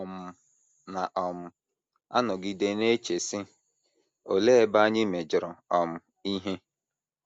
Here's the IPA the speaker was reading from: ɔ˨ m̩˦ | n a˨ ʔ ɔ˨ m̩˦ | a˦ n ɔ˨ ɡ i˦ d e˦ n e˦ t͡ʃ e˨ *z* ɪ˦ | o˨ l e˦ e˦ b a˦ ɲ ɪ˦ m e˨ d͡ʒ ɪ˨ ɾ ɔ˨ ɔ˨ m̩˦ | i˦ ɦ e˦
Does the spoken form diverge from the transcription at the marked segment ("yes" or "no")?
yes